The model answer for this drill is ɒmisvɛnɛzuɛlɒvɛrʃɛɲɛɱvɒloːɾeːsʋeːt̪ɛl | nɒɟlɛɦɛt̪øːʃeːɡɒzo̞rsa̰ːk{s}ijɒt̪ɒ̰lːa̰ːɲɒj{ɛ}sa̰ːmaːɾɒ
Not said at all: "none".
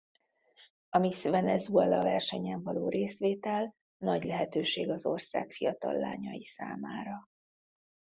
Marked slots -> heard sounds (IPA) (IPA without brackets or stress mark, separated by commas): f, i